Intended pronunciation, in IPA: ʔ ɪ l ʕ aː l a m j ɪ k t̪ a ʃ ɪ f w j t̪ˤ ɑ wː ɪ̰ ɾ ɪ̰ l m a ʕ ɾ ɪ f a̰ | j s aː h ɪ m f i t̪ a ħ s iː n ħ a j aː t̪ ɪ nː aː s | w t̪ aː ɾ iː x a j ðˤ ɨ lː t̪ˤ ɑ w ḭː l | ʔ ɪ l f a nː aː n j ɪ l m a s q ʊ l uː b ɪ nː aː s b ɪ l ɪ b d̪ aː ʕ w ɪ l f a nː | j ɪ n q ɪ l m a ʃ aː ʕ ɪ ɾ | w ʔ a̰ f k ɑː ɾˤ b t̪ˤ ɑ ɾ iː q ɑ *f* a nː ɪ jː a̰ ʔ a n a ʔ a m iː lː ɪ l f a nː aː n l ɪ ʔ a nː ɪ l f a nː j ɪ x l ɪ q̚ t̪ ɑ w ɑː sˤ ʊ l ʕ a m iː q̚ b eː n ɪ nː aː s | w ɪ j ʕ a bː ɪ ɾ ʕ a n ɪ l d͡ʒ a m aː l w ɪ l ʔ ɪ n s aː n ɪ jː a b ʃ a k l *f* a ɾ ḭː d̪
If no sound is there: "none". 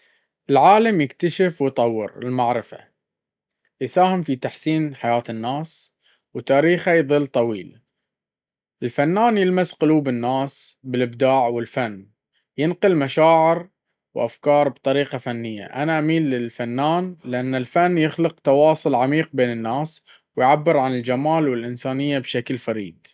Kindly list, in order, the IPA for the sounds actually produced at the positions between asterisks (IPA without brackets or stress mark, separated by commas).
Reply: f, f